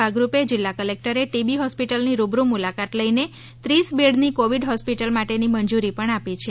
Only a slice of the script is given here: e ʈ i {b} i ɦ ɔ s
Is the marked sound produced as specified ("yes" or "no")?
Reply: yes